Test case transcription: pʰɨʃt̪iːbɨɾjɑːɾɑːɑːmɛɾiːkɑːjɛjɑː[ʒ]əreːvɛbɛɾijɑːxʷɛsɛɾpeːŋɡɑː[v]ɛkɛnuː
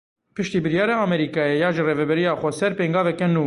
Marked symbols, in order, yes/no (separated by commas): yes, yes